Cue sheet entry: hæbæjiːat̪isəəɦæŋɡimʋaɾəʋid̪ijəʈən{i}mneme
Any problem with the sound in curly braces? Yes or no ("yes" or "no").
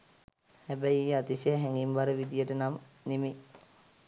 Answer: yes